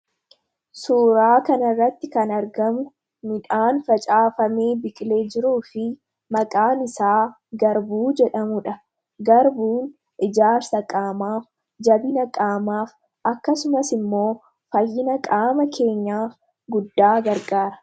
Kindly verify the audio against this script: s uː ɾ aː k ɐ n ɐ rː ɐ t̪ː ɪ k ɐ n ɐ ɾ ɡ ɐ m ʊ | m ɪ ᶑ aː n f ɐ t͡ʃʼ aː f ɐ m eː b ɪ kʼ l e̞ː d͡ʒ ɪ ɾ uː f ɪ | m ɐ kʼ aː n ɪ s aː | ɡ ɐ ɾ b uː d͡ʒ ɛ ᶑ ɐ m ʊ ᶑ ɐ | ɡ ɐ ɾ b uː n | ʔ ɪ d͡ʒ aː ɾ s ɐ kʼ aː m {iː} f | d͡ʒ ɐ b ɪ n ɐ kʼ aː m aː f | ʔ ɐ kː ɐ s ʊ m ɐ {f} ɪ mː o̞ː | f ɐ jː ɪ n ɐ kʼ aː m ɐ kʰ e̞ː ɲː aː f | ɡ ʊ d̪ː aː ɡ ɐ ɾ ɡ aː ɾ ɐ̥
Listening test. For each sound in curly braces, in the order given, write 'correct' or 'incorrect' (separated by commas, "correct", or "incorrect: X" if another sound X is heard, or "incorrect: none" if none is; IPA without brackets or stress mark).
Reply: incorrect: aː, incorrect: s